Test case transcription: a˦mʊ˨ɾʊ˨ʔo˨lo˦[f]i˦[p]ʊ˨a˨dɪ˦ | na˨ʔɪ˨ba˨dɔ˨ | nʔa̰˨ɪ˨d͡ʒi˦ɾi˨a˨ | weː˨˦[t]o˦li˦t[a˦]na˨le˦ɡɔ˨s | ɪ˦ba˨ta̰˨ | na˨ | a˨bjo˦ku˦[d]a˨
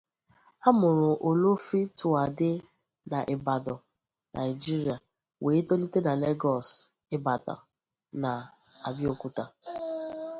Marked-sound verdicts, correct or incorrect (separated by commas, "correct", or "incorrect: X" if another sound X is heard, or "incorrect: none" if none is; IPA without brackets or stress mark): correct, incorrect: t, correct, incorrect: e˦, incorrect: t